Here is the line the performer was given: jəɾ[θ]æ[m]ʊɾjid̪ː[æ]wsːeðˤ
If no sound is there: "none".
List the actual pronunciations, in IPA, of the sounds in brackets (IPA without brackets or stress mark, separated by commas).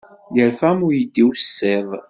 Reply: f, m, i